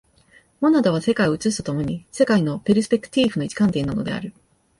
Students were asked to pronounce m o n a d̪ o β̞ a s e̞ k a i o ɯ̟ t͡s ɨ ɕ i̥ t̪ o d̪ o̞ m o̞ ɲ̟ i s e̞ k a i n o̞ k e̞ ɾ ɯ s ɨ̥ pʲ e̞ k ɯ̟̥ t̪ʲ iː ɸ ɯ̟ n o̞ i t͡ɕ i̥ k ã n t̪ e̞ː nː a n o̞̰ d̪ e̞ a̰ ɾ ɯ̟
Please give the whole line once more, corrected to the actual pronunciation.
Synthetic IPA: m o n a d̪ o β̞ a s e̞ k a i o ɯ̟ t͡s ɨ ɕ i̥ t̪ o t̪ o̞ m o̞ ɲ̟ i s e̞ k a i n o̞ p e̞ ɾ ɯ s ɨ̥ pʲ e̞ k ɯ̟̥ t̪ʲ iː ɸ ɯ̟ n o̞ i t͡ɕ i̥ k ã n t̪ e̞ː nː a n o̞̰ d̪ e̞ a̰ ɾ ɯ̟